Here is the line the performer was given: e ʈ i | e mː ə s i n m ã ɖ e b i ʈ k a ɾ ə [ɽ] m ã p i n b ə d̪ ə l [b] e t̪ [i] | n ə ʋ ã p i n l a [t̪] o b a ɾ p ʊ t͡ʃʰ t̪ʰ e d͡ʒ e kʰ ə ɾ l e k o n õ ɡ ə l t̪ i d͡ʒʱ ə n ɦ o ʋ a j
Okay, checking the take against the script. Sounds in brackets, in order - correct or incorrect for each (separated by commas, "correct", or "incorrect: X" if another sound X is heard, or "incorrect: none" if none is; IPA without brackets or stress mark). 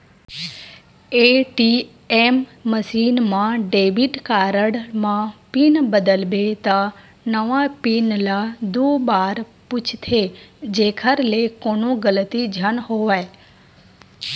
correct, correct, incorrect: a, incorrect: d̪